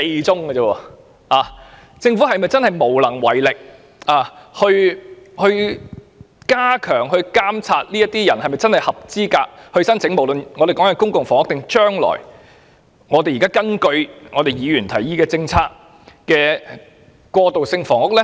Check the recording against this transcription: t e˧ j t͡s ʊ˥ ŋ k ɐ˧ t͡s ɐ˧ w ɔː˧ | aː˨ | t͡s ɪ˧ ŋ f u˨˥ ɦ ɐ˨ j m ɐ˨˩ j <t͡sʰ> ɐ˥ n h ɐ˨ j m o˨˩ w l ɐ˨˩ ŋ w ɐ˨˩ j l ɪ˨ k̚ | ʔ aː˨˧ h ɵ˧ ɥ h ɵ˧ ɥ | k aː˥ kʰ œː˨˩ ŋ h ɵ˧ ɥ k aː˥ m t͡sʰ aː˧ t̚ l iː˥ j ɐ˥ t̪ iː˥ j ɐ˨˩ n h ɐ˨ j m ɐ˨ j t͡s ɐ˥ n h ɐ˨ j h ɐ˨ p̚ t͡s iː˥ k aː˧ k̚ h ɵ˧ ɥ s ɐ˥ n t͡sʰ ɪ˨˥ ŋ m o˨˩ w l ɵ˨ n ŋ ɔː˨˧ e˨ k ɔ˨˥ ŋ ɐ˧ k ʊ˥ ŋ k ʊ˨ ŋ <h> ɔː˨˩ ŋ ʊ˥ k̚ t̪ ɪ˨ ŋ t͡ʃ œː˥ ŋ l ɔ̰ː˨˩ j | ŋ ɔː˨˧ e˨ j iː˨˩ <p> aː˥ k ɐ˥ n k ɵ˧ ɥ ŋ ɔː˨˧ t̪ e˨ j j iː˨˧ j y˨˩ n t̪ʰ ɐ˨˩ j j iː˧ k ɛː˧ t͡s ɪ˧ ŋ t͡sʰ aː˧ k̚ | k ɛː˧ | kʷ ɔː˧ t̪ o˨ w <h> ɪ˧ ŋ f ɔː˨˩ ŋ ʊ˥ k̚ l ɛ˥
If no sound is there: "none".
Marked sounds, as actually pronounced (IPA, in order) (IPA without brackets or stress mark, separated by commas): t͡s, f, k, s